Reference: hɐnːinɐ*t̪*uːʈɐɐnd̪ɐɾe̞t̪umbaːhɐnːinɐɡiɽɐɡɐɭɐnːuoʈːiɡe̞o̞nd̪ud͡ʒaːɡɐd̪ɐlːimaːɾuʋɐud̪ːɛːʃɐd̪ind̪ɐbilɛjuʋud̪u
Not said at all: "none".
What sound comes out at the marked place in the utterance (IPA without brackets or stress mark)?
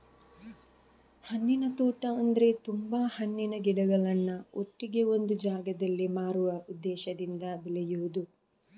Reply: t̪